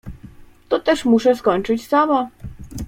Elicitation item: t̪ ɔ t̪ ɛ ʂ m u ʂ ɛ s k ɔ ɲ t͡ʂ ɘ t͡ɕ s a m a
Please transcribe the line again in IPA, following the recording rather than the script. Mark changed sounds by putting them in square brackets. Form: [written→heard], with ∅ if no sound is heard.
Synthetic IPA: t̪ ɔ t̪ ɛ ʂ m u ʂ ɛ s k ɔ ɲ t͡ʂ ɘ t͡ɕ s a m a